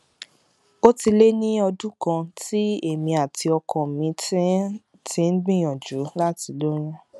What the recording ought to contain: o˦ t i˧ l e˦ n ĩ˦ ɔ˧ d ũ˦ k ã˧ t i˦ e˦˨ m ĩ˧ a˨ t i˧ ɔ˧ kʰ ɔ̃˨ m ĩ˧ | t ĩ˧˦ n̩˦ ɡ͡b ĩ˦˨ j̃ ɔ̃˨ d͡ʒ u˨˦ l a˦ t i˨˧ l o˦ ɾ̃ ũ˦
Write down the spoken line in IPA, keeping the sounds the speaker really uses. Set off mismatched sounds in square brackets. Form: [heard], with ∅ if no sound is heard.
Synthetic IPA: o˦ t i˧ l e˦ n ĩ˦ ɔ˧ d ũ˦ k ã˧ t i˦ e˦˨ m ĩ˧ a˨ t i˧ ɔ˧ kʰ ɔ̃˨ m ĩ˧ | t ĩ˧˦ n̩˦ ɡ͡b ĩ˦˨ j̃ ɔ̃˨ d͡ʒ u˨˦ l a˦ t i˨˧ l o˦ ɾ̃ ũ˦